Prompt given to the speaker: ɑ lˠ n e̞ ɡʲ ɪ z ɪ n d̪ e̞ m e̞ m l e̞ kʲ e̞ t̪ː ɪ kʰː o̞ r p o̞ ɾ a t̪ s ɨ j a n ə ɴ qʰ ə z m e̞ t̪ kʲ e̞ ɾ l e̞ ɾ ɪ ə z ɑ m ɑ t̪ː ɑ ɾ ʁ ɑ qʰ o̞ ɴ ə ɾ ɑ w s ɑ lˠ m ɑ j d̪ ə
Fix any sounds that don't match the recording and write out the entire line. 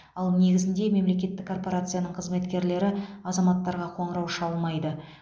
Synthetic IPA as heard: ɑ lˠ n e̞ ɡʲ ɪ z ɪ n d̪ e̞ m e̞ m l e̞ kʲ e̞ t̪ː ɪ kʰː o̞ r p o̞ ɾ a t̪ s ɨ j a n ə ɴ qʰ ə z m e̞ t̪ kʲ e̞ ɾ l e̞ ɾ ɪ ɑ z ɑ m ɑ t̪ː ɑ ɾ ʁ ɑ qʰ o̞ ɴ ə ɾ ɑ w ʃ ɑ lˠ m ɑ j d̪ ə